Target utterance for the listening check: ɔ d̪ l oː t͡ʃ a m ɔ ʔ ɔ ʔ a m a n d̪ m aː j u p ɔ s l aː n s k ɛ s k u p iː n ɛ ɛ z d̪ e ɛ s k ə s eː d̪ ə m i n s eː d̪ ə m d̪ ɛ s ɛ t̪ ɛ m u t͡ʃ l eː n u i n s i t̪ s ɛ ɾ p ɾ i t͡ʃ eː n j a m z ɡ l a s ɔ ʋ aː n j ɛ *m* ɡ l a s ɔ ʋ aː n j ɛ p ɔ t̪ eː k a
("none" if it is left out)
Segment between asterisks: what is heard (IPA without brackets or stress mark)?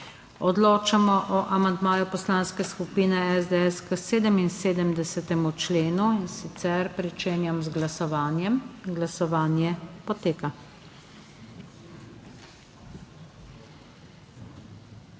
m